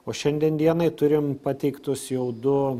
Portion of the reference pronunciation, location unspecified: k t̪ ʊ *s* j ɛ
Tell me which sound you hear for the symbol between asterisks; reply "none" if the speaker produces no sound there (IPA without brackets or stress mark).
s